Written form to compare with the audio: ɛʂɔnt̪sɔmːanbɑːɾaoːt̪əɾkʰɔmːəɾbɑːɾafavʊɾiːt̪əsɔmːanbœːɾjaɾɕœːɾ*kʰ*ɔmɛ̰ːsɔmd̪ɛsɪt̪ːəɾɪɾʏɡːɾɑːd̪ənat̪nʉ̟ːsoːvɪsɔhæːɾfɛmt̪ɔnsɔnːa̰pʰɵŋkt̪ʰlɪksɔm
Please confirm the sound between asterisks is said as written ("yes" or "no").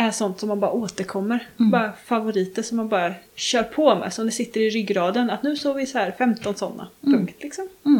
no